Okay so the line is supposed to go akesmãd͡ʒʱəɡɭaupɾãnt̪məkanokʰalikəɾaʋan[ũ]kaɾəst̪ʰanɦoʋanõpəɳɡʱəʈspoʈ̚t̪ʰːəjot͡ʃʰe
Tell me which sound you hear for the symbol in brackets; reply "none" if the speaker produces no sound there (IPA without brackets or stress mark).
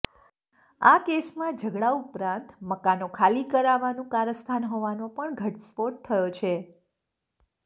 ũ